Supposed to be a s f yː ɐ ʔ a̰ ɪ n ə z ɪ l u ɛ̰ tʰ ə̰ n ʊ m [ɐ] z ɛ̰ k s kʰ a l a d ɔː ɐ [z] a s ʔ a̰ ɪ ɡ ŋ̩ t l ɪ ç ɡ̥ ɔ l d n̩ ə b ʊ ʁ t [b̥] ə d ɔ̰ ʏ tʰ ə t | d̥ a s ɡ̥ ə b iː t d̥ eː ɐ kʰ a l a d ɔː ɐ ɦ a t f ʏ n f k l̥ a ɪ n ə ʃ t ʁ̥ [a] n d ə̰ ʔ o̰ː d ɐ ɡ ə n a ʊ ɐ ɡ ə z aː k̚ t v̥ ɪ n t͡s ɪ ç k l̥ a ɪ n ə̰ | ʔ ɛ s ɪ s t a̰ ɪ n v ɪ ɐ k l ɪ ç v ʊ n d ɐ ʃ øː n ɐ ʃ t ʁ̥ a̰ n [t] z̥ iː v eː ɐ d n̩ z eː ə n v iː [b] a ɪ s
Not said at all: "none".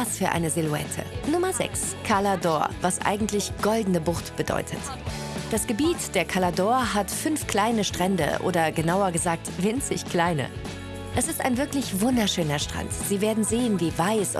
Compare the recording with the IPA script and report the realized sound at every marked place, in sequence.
ɐ, v, b̥, ɛ, t, v

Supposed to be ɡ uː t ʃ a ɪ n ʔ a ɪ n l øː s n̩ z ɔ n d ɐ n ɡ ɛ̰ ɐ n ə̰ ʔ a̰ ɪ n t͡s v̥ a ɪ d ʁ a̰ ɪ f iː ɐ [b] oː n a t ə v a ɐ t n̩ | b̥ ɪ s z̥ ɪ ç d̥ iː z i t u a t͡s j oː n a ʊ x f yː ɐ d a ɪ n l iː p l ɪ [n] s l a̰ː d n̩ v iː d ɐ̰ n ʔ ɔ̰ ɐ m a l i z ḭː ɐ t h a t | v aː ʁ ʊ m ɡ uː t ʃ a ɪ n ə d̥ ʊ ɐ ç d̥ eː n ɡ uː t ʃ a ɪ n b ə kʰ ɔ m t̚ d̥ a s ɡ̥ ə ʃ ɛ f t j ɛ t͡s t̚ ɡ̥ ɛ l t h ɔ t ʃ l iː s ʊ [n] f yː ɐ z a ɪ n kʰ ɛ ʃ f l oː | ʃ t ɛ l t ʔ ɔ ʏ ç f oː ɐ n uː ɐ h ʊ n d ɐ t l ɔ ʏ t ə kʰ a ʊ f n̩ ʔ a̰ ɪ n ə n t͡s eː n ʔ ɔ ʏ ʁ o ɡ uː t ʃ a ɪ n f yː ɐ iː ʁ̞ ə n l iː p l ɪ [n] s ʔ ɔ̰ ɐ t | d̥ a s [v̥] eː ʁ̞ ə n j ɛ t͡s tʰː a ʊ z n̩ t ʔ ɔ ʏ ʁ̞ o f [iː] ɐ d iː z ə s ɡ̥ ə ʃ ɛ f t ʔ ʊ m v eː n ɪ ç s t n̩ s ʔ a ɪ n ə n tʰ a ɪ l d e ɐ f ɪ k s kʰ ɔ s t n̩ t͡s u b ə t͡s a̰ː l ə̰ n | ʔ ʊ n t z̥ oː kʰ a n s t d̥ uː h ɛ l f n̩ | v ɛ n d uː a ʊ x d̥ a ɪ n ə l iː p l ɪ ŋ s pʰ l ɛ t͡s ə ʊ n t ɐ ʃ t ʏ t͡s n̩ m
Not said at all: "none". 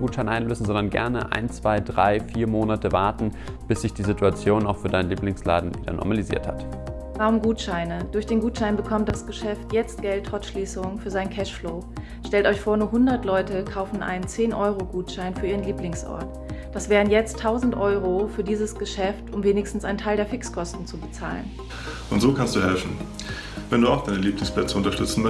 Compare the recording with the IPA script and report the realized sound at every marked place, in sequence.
m, ŋ, ŋ, ŋ, v̥, yː

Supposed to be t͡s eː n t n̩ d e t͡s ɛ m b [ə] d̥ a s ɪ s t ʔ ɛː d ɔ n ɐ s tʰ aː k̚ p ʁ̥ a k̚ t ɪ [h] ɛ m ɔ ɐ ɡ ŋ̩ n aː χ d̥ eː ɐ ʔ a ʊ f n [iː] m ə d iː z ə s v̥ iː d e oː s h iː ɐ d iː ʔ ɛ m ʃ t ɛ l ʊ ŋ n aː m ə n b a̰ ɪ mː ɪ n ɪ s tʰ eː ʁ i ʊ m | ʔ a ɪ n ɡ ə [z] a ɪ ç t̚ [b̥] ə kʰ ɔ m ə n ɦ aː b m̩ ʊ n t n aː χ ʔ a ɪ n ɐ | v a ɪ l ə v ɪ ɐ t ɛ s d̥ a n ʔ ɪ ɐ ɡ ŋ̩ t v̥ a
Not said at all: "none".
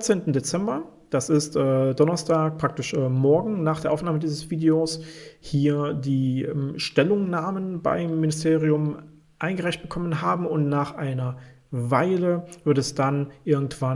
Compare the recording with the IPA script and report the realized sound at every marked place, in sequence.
ɐ, ʃ, aː, ʁ, b̥

